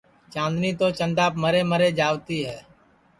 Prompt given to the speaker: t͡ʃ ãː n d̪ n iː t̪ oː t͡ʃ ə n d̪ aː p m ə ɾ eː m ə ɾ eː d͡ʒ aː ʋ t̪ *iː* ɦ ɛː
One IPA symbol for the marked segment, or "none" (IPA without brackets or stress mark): iː